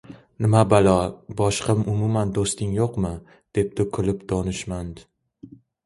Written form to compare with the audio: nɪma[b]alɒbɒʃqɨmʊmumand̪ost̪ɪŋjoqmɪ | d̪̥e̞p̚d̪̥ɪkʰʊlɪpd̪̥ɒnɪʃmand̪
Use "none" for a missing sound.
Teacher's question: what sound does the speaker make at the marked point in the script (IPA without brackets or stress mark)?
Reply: b